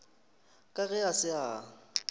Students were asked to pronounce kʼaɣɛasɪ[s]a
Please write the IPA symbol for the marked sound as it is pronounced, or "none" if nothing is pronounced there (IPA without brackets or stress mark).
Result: none